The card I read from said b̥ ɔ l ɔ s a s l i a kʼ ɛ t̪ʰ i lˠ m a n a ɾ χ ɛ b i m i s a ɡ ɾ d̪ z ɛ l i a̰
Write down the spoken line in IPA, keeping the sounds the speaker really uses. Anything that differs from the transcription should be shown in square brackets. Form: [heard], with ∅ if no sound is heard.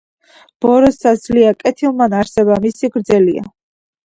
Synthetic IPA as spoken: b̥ ɔ [ɾ] ɔ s a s l i a kʼ ɛ t̪ʰ i lˠ m a n a ɾ [s] ɛ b [a] m i s [i] ɡ ɾ d̪ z ɛ l i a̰